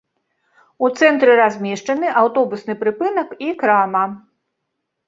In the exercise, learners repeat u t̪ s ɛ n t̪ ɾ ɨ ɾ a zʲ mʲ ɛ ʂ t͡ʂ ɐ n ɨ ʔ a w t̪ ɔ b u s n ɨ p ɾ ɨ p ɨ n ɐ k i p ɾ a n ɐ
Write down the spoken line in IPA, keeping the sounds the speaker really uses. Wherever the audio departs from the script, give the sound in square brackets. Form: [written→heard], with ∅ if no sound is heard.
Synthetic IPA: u t̪ s ɛ n t̪ ɾ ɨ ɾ a zʲ mʲ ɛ ʂ t͡ʂ ɐ n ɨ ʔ a w t̪ ɔ b u s n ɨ p ɾ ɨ p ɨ n ɐ k i [p→k] ɾ a [n→m] ɐ